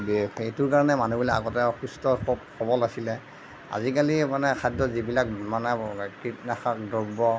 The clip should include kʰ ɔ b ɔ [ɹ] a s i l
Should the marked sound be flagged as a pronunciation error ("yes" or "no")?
yes